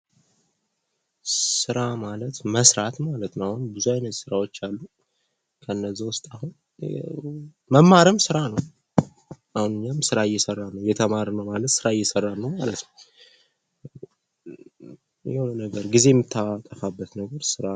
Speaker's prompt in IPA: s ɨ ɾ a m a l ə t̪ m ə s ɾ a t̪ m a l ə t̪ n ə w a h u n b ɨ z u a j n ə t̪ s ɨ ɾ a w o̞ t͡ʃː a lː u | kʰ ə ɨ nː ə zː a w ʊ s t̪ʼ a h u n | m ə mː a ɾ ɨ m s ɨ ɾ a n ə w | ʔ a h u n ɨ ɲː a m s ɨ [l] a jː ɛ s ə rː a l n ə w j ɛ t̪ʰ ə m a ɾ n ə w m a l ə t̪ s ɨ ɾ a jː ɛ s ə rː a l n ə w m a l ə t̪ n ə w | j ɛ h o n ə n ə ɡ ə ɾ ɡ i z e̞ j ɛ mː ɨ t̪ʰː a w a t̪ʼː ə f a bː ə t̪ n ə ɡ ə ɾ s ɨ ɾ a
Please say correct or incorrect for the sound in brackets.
incorrect